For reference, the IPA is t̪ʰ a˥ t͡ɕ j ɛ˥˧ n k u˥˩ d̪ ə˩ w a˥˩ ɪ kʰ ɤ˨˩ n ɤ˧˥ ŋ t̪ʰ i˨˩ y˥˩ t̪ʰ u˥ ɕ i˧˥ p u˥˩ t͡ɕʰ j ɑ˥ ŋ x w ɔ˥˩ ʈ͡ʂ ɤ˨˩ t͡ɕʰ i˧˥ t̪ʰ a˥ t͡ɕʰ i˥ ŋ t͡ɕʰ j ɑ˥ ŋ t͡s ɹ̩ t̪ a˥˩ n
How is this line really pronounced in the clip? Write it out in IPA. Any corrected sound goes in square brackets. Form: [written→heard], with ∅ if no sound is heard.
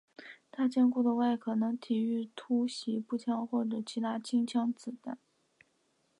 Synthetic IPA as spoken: t̪ʰ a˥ t͡ɕ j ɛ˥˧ n k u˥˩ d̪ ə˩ w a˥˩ ɪ kʰ ɤ˨˩ n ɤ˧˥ ŋ t̪ʰ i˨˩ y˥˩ t̪ʰ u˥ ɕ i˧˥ p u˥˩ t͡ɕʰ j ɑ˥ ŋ x w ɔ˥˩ ʈ͡ʂ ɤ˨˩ t͡ɕʰ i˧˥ t̪ʰ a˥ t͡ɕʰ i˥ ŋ t͡ɕʰ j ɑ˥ ŋ t͡s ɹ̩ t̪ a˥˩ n